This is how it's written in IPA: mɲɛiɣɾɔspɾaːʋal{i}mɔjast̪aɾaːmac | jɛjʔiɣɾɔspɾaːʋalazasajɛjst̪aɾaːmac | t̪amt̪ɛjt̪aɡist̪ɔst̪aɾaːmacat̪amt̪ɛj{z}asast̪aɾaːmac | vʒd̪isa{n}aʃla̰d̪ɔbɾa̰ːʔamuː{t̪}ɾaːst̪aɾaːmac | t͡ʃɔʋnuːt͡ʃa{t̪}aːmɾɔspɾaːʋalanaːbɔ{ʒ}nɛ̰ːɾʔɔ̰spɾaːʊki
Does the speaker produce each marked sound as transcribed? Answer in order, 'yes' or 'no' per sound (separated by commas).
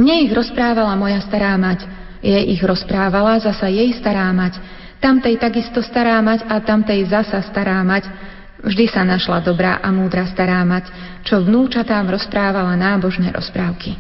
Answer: no, yes, yes, no, yes, yes